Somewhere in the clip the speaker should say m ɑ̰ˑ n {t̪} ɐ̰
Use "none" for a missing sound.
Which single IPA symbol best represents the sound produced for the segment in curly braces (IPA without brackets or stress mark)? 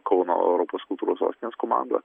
d̪